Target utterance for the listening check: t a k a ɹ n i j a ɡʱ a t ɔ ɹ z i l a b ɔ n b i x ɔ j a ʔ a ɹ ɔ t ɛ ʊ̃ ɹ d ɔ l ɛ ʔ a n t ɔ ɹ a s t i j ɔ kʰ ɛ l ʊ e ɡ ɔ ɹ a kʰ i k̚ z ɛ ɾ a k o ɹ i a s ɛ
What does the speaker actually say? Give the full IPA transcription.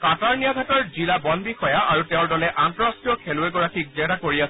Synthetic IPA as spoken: k a t a ɹ n i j a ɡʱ a t ɔ ɹ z i l a b ɔ n b i x ɔ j a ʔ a ɹ u t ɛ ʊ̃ ɹ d ɔ l ɛ ʔ a n t ɔ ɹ a s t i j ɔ kʰ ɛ l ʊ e ɡ ɔ ɹ a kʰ i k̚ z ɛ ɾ a k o ɹ i a s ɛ